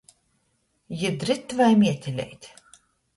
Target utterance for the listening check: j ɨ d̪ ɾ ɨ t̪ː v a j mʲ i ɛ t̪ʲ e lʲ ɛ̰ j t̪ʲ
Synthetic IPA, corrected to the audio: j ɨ d̪ ɾ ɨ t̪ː v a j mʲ i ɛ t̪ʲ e lʲ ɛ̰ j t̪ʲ